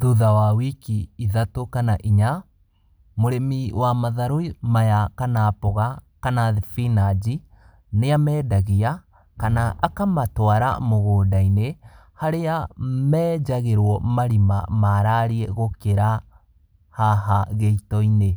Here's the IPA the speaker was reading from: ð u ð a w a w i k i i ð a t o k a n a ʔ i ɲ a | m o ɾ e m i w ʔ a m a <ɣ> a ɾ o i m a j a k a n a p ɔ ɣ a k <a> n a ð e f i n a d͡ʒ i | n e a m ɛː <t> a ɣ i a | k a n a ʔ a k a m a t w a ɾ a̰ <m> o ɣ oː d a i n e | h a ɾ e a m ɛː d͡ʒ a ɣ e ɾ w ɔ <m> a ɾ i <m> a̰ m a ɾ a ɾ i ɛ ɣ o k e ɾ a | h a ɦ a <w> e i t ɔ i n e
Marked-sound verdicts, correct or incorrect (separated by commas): incorrect, correct, incorrect, correct, correct, correct, incorrect